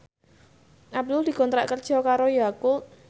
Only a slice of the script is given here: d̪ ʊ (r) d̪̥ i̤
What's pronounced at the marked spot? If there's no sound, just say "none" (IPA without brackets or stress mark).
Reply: l